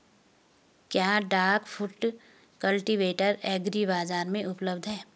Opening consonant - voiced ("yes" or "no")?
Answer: no